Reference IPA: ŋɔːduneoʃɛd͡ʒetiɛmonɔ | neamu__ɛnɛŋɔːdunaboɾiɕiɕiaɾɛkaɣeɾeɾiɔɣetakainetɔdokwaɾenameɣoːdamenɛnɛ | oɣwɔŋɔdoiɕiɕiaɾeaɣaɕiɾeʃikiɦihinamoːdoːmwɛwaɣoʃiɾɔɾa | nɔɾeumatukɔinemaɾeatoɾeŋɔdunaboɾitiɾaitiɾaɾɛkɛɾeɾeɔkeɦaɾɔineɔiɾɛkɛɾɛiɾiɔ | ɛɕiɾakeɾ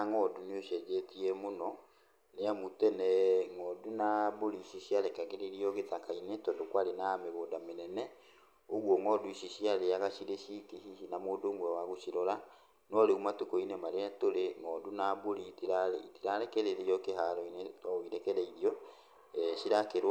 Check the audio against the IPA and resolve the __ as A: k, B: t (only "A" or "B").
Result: B